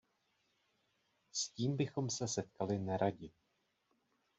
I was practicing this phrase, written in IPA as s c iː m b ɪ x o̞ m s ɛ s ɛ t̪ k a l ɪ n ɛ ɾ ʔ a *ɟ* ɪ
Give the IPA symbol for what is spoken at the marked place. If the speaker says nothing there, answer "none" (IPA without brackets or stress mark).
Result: ɟ